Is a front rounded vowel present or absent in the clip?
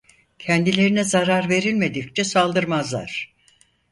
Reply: absent